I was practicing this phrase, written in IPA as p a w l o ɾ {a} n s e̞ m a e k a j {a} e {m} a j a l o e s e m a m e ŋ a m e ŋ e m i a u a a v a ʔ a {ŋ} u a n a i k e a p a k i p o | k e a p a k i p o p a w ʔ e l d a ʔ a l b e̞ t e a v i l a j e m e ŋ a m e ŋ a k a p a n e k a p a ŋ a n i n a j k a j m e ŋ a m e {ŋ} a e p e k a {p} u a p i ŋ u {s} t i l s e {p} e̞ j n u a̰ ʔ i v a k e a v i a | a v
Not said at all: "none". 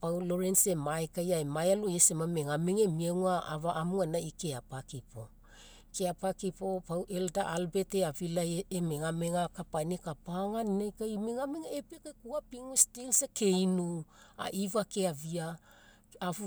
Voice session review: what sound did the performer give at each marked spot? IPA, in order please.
e, a, m, m, ŋ, k, s, k

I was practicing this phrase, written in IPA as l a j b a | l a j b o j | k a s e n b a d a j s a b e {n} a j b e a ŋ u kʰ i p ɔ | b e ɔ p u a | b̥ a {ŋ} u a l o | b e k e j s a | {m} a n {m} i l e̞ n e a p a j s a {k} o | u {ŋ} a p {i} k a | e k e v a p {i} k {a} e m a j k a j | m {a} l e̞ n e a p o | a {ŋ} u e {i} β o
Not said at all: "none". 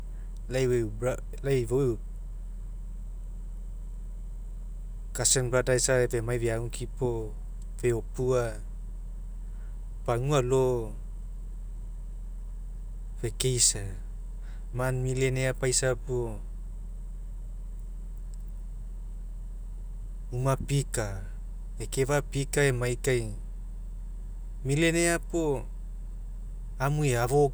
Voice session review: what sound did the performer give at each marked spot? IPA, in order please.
m, ŋ, m, m, p, m, i, i, a, i, m, a

